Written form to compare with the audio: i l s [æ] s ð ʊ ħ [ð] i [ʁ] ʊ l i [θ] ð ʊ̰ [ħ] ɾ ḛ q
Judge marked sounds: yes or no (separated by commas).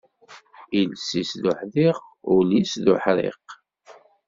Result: no, yes, yes, no, yes